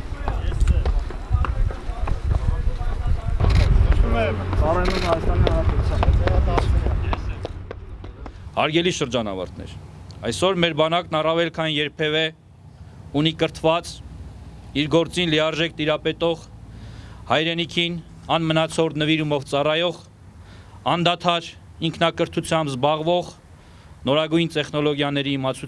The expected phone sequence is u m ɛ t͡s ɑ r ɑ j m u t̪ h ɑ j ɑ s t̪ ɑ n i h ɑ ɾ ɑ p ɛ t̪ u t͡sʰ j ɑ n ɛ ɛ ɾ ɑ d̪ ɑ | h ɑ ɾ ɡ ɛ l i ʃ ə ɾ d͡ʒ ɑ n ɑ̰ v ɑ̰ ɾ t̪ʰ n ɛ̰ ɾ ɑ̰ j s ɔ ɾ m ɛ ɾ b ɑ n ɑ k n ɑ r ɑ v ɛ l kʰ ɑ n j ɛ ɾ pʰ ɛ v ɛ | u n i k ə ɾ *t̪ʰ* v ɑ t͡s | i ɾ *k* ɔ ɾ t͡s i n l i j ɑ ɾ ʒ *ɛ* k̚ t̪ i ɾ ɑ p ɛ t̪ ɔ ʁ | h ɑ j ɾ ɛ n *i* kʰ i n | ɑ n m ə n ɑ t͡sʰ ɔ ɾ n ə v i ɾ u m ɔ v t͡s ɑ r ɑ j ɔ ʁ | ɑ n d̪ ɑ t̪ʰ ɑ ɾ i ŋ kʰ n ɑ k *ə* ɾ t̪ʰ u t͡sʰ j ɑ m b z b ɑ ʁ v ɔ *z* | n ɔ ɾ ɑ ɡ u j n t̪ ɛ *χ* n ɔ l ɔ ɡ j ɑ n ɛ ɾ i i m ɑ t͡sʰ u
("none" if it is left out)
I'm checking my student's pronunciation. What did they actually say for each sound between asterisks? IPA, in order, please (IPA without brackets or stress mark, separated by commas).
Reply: t̪ʰ, ɡ, ɛ, i, ə, ʁ, χ